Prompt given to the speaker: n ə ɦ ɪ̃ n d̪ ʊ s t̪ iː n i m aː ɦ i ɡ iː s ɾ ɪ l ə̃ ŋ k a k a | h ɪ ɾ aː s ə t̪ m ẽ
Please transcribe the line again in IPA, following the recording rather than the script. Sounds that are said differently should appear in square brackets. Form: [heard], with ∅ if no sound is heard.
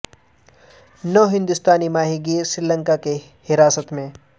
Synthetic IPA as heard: n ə ɦ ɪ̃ n d̪ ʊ s t̪ [aː] n i m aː ɦ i ɡ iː s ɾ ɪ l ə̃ ŋ k a k [e] | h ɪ ɾ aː s ə t̪ m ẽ